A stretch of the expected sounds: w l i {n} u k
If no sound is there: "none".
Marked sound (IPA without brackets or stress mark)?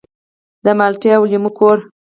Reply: m